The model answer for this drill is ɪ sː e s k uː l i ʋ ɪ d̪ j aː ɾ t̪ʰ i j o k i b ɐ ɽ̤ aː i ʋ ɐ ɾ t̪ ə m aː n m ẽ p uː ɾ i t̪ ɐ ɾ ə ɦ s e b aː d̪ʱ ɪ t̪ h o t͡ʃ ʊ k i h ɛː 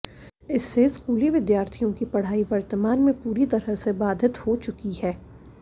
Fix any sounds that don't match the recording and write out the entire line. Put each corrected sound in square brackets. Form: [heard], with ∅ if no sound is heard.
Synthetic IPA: ɪ sː e s k uː l i ʋ ɪ d̪ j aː ɾ t̪ʰ i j [õ] k i [p] ɐ ɽ̤ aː i ʋ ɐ ɾ t̪ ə m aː n m ẽ p uː ɾ i t̪ ɐ ɾ ə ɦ s e b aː d̪ʱ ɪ t̪ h o t͡ʃ ʊ k i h ɛː